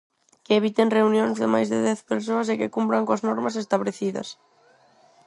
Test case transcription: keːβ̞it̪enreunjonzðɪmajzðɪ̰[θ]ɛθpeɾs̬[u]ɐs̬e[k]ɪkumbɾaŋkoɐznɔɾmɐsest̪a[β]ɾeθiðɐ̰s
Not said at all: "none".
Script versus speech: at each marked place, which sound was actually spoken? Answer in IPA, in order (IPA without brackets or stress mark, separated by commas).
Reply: ð, o, k, β